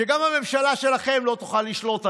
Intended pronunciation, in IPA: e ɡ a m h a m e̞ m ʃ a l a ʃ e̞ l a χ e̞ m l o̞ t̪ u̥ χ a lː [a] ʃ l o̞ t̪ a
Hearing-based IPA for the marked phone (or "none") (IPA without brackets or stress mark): i